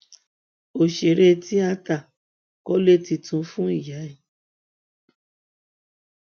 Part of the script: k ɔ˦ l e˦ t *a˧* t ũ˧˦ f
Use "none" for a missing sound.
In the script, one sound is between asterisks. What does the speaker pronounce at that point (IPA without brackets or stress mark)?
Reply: i˧